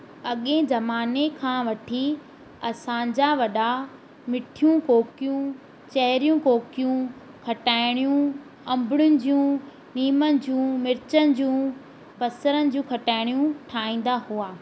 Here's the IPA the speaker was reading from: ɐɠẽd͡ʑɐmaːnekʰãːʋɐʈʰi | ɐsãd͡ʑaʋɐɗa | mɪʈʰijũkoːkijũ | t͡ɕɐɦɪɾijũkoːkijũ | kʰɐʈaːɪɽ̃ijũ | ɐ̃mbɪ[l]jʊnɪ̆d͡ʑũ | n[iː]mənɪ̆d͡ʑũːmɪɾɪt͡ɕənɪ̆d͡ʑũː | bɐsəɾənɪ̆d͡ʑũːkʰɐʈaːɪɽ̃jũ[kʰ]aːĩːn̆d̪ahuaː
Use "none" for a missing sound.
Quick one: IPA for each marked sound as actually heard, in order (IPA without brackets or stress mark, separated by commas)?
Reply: ɽ, iː, ʈʰ